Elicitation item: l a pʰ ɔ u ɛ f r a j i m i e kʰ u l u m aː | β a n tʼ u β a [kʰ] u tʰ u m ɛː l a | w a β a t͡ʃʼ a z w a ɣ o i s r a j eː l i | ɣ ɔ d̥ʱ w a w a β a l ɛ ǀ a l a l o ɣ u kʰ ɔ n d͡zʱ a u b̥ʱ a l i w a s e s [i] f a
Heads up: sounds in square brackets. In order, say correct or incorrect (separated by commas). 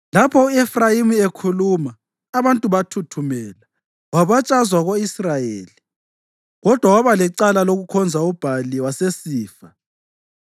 incorrect, incorrect